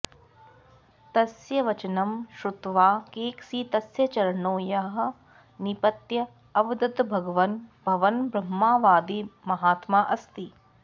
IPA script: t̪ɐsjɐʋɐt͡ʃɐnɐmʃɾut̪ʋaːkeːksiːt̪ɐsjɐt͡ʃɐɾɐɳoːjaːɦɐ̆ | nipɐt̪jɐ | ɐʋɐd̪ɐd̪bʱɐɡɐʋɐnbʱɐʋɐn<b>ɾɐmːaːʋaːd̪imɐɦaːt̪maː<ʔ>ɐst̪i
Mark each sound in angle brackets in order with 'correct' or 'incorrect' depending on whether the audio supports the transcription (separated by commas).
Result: correct, correct